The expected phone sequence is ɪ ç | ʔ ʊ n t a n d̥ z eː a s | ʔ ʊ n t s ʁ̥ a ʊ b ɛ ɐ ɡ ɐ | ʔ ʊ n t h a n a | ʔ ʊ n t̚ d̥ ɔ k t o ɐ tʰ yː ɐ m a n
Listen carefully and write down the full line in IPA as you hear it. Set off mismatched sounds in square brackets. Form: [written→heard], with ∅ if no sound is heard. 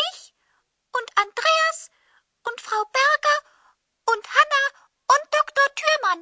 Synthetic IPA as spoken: ɪ ç | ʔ ʊ n t a n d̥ [z→ʁ] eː a s | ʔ ʊ n t [s→f] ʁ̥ a ʊ b ɛ ɐ ɡ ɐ | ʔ ʊ n t h a n a | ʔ ʊ n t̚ d̥ ɔ k t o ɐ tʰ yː ɐ m a n